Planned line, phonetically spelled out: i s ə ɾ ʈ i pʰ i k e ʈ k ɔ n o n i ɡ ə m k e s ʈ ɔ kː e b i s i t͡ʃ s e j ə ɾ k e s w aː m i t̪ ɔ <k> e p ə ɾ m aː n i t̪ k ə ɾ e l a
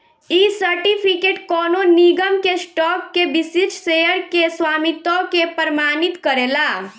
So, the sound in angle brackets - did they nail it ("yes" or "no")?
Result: yes